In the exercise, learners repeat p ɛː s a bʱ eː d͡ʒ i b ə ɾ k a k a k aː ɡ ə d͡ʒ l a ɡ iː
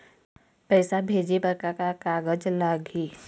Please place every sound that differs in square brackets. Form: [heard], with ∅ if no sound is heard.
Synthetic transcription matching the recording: p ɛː s a bʱ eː d͡ʒ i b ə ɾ k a k a k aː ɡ ə d͡ʒ l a ɡ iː

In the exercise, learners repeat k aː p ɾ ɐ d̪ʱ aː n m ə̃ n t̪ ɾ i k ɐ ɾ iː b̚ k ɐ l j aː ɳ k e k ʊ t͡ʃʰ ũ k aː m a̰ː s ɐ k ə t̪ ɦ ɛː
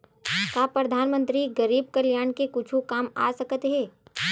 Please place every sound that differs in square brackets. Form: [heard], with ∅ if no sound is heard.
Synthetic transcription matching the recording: k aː p ɾ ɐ d̪ʱ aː n m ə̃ n t̪ ɾ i [ɡ] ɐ ɾ iː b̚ k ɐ l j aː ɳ k e k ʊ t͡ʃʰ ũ k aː m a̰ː s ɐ k ə t̪ ɦ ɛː

